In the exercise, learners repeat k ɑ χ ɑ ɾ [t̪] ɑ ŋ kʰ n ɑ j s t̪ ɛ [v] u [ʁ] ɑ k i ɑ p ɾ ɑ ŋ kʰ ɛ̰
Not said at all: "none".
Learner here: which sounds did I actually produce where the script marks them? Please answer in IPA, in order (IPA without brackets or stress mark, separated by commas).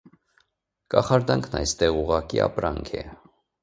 d̪, ʁ, ʁ